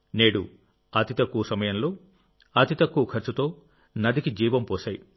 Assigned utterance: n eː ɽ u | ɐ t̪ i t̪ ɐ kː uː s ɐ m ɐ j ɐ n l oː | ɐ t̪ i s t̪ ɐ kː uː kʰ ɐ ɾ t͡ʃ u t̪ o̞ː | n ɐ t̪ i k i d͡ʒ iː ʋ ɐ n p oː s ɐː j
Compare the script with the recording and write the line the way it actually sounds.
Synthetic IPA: n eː ɽ u | ɐ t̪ i t̪ ɐ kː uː s ɐ m ɐ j ɐ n l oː | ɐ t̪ i t̪ ɐ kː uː kʰ ɐ ɾ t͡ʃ u t̪ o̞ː | n ɐ d̪ i k i d͡ʒ iː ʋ ɐ m p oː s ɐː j